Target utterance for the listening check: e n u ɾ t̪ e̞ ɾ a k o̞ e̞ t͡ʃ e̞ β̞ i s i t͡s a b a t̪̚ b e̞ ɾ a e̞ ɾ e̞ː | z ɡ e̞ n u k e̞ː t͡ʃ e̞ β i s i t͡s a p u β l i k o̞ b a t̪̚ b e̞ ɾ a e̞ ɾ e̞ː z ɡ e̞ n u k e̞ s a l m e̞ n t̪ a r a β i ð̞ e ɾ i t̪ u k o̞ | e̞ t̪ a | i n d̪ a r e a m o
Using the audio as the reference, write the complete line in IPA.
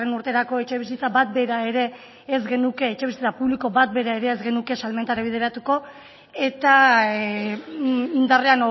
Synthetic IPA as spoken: e n u ɾ t̪ e̞ ɾ a k o̞ e̞ t͡ʃ e̞ β̞ i s i t͡s a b a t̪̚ b e̞ ɾ a e̞ ɾ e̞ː | z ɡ e̞ n u k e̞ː t͡ʃ e̞ β i s i t͡s a p u β l i k o̞ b a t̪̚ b e̞ ɾ a e̞ ɾ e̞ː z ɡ e̞ n u k e̞ s a l m e̞ n t̪ a ɾ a β i ð̞ e ɾ a t̪ u k o̞ | e̞ t̪ a | i n d̪ a r e a n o